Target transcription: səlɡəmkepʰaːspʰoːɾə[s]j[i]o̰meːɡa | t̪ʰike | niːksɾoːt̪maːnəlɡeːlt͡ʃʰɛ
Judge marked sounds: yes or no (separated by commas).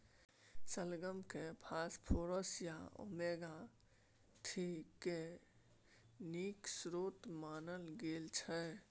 yes, no